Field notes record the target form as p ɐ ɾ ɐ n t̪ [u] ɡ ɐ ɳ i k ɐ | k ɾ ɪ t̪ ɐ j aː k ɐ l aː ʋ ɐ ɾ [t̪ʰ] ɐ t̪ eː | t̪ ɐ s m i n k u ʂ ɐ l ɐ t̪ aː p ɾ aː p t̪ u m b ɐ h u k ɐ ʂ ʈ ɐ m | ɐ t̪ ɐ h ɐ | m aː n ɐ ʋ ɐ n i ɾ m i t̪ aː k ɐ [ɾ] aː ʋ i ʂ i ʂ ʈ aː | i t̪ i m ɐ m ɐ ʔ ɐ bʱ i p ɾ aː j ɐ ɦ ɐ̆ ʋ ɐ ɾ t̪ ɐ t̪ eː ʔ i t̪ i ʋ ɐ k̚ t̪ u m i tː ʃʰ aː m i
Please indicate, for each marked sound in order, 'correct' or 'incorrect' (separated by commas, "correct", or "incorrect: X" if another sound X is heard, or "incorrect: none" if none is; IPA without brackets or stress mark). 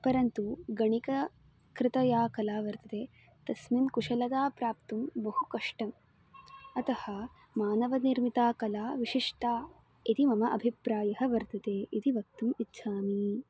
correct, incorrect: t̪, incorrect: l